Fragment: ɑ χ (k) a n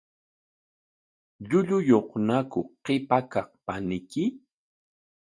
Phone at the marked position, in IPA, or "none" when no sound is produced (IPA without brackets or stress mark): p